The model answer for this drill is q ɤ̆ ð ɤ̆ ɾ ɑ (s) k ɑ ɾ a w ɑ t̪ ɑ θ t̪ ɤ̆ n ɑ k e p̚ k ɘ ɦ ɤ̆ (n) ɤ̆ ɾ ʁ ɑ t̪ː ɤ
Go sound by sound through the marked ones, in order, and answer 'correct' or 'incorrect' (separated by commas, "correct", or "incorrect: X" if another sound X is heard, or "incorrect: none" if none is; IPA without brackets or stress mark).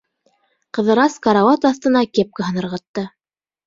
correct, correct